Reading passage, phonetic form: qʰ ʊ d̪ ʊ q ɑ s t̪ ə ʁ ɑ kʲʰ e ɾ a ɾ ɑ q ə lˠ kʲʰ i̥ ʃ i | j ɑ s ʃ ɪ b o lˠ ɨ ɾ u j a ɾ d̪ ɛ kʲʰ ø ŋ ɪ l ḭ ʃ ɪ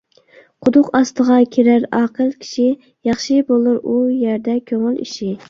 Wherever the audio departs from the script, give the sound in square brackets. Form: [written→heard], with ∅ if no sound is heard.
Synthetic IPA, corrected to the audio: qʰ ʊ d̪ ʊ q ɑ s t̪ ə ʁ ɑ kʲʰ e ɾ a ɾ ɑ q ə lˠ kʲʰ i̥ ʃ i | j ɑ [s→χ] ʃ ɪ b o lˠ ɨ ɾ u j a ɾ d̪ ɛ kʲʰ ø ŋ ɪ l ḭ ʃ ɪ